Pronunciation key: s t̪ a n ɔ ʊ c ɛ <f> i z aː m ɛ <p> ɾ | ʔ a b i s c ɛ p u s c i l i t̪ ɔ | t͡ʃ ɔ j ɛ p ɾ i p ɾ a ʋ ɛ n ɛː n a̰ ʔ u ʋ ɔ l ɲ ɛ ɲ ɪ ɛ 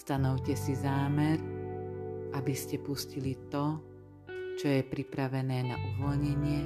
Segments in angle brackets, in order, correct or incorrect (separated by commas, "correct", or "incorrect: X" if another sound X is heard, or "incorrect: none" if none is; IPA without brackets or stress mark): incorrect: s, incorrect: none